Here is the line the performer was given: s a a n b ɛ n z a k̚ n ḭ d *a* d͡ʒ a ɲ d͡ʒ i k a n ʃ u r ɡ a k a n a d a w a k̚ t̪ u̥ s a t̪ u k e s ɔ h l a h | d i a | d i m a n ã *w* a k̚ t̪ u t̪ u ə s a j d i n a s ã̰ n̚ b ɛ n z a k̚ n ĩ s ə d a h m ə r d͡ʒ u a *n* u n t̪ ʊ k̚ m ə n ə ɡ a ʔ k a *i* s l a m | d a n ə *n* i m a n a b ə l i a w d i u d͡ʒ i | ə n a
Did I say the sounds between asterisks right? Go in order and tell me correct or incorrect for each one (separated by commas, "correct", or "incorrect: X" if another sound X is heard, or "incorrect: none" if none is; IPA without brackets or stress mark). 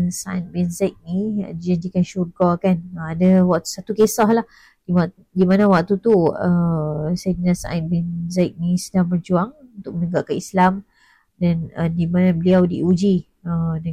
incorrect: i, correct, incorrect: ŋ, correct, incorrect: d